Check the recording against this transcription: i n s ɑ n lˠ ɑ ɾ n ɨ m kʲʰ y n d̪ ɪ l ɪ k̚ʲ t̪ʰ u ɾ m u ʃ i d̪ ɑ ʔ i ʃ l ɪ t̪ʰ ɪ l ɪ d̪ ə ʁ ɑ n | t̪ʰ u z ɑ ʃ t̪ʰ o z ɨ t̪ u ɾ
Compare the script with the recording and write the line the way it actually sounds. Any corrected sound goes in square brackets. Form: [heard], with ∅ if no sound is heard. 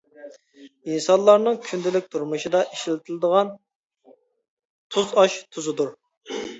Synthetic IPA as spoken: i n s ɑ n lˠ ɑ ɾ n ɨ [ŋ] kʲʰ y n d̪ ɪ l ɪ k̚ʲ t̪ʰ u ɾ m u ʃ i d̪ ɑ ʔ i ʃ l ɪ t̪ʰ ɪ l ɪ d̪ ə ʁ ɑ n | t̪ʰ u z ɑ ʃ t̪ʰ [u] z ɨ [d̪] u ɾ